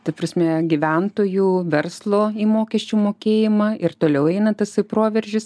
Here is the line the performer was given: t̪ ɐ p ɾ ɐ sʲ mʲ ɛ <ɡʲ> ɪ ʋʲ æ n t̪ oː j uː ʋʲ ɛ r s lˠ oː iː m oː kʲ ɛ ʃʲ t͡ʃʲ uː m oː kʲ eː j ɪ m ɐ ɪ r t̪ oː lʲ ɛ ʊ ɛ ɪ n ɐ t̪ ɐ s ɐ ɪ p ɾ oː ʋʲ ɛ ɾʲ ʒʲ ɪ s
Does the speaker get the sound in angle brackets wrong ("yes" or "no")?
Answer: no